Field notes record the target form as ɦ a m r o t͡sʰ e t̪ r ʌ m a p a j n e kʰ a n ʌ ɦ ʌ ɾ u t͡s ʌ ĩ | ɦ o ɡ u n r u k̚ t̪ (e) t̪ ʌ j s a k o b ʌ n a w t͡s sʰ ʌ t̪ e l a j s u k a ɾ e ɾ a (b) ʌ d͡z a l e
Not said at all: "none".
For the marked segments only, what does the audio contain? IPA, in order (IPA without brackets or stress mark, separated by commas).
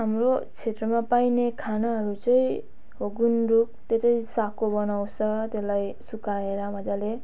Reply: e, m